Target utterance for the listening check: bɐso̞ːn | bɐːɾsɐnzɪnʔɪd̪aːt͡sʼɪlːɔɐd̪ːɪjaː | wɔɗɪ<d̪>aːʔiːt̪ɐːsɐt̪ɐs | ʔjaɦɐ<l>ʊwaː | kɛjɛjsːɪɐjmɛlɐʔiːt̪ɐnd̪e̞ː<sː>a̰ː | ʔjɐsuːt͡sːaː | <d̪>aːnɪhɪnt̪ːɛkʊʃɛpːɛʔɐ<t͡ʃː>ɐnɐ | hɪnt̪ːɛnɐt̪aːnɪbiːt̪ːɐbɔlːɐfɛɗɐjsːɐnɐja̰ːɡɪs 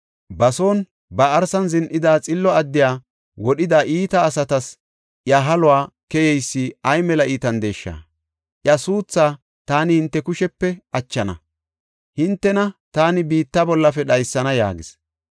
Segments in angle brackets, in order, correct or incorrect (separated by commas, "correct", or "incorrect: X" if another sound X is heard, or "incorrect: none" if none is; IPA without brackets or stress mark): correct, correct, incorrect: ʃː, incorrect: t̪, correct